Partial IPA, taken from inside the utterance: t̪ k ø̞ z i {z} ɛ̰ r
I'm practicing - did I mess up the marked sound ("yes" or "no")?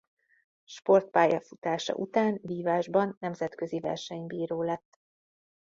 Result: yes